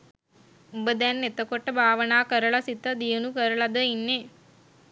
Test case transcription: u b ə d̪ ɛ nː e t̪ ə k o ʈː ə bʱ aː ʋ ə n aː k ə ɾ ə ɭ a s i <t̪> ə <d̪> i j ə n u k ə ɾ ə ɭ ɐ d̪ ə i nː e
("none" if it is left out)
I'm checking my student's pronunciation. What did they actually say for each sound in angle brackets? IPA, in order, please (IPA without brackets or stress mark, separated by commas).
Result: t̪, d̪